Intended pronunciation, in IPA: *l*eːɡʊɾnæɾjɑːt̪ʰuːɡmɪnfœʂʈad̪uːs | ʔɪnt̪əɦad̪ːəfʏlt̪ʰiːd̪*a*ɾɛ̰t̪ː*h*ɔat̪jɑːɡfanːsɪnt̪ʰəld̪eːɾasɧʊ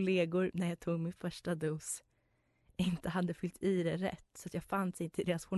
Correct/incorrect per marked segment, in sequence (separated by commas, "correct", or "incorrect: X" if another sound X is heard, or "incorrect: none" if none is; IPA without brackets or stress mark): correct, incorrect: ɛ, incorrect: s